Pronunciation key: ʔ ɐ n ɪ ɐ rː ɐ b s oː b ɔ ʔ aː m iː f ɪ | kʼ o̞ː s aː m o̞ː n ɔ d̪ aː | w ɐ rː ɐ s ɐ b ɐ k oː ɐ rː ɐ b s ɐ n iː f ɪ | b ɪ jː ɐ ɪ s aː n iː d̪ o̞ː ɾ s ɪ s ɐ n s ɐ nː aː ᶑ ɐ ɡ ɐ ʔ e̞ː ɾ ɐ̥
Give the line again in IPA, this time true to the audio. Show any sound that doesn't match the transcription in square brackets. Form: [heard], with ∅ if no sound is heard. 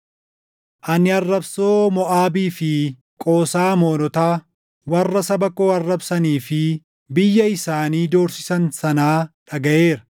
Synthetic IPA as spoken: ʔ ɐ n ɪ ɐ rː ɐ b s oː [m] ɔ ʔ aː [b] iː f ɪ | kʼ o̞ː s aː m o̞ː n ɔ [t̪] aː | w ɐ rː ɐ s ɐ b ɐ k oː ɐ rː ɐ b s ɐ n iː f ɪ | b ɪ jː ɐ ɪ s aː n iː d̪ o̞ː ɾ s ɪ s ɐ n s ɐ [n] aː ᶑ ɐ ɡ ɐ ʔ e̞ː ɾ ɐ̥